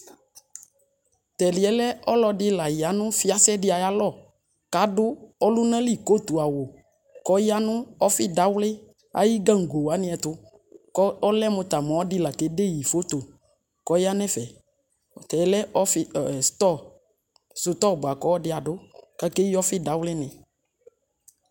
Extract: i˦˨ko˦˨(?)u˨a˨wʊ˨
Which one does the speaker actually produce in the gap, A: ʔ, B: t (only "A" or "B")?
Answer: B